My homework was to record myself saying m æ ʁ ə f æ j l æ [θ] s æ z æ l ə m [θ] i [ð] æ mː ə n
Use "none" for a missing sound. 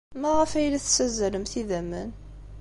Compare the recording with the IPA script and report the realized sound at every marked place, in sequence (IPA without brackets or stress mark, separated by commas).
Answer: θ, θ, ð